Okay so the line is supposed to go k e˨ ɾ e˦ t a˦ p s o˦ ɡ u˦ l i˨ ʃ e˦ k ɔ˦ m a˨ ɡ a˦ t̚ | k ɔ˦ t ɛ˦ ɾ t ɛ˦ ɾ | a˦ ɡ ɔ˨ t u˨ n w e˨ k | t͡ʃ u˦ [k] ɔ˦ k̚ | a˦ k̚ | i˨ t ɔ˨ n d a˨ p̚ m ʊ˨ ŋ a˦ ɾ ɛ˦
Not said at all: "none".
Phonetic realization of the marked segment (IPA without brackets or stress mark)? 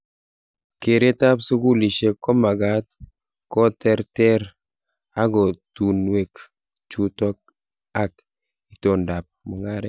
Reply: t